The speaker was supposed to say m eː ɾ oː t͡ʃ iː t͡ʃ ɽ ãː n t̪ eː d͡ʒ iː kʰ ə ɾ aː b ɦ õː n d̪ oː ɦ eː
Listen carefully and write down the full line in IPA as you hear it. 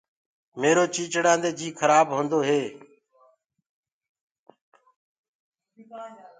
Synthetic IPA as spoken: m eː ɾ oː t͡ʃ iː t͡ʃ ɽ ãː n d̪ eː d͡ʒ iː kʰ ə ɾ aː b ɦ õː n d̪ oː ɦ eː